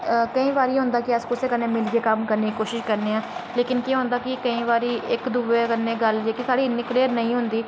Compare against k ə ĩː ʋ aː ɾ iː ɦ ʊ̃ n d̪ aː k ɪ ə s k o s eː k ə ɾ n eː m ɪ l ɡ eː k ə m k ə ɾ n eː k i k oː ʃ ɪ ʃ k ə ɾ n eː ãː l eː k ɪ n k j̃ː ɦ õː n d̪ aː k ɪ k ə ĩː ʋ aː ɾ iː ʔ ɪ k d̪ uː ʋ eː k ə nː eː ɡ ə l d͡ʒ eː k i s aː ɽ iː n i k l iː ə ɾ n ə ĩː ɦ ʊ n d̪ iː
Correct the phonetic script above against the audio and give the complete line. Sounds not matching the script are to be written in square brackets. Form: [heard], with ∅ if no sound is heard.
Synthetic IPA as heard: k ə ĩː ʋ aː ɾ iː ɦ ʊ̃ n d̪ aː k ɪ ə s k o s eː k ə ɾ n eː m ɪ l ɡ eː k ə m k ə ɾ n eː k i k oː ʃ ɪ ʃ k ə ɾ n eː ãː l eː k ɪ n k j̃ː ɦ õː n d̪ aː k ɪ k ə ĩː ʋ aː ɾ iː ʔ ɪ k d̪ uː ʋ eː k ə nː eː ɡ ə l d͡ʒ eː k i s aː ɽ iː n [ɪ] k l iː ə ɾ n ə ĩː ɦ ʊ n d̪ iː

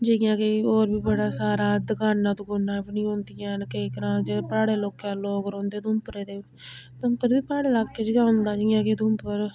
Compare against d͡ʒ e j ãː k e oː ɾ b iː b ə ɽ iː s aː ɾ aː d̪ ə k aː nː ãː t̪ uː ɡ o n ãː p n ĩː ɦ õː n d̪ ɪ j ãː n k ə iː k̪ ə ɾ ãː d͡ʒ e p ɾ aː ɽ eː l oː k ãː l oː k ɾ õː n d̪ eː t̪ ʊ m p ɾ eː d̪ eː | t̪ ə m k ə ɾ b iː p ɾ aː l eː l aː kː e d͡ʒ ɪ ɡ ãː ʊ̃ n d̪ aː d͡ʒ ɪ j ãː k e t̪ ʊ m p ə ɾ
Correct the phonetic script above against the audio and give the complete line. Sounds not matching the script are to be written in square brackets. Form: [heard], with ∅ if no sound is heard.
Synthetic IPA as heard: d͡ʒ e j ãː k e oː ɾ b iː b ə ɽ [aː] s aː ɾ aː d̪ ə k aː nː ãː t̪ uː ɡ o n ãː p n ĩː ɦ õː n d̪ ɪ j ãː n k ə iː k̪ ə ɾ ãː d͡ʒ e p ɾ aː ɽ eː l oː k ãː l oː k ɾ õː n d̪ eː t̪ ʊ m p ɾ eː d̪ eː | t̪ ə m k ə ɾ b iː p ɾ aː [ɽ] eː l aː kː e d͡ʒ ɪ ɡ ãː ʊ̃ n d̪ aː d͡ʒ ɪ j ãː k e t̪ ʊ m p ə ɾ

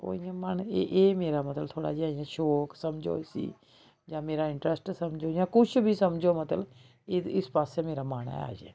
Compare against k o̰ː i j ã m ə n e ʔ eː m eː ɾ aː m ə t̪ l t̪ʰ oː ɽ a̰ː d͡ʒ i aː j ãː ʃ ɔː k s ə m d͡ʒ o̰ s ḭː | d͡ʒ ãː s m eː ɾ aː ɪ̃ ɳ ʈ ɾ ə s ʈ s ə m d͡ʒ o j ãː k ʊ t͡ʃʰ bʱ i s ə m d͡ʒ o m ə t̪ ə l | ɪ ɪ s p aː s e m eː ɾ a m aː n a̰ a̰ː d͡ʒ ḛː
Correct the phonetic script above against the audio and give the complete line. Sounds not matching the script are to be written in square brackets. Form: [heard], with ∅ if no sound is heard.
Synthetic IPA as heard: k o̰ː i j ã m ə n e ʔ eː m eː ɾ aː m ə t̪ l t̪ʰ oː ɽ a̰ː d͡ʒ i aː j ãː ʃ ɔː k s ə m d͡ʒ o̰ s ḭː | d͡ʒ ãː [∅] m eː ɾ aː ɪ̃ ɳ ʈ ɾ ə s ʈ s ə m d͡ʒ o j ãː k ʊ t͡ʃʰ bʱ i s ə m d͡ʒ o m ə t̪ ə l | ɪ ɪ s p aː s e m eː ɾ a m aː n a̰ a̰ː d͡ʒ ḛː

